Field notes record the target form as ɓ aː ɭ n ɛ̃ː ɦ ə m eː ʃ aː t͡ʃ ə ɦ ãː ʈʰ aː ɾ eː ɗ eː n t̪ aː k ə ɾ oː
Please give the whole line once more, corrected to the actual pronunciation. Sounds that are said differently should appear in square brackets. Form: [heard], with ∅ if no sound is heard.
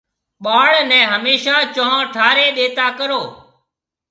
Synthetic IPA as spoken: ɓ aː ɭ n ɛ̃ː ɦ ə m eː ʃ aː t͡ʃ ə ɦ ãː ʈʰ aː ɾ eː ɗ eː [∅] t̪ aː k ə ɾ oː